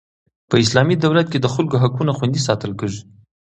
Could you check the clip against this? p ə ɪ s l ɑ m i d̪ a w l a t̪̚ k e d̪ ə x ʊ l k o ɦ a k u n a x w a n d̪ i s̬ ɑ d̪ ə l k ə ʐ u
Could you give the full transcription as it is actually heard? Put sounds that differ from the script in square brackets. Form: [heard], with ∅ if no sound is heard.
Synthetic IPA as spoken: p ə ɪ s l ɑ m i d̪ a w l a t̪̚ k e d̪ ə x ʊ l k o ɦ a k u n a x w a n d̪ i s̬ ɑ [t̪] ə l k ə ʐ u